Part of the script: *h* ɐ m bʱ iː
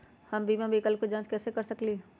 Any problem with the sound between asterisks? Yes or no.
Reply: no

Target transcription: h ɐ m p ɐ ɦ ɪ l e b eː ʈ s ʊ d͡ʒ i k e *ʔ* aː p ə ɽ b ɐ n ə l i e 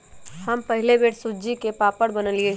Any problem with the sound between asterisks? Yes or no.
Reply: yes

